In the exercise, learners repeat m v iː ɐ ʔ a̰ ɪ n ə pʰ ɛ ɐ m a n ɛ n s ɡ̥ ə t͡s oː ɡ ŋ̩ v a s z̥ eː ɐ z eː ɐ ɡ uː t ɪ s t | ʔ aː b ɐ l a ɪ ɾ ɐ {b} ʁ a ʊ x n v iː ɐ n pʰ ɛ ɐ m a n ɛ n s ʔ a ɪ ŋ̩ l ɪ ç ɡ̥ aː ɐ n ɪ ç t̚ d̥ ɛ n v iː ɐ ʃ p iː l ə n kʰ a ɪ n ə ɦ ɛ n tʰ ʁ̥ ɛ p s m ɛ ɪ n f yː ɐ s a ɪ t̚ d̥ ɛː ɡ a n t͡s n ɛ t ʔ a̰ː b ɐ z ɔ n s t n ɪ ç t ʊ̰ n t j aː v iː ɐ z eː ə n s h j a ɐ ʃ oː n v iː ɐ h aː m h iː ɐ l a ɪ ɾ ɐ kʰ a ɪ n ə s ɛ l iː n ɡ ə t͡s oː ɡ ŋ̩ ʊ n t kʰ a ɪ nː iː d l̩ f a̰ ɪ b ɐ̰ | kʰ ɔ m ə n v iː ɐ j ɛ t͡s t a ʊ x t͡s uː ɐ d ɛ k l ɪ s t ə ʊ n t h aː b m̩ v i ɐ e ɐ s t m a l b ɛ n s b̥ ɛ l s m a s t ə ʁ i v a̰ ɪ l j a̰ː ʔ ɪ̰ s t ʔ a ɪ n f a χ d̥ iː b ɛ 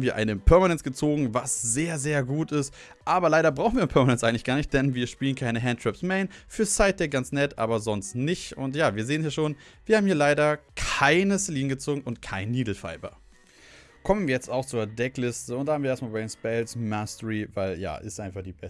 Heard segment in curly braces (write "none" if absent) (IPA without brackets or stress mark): b